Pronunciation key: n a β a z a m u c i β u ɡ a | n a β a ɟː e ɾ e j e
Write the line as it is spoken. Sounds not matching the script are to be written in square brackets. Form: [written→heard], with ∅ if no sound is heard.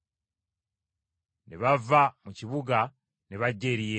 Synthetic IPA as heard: n [a→e] β a [z→v] a m u c i β u ɡ a | n [a→e] β a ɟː e ɾ [e→i] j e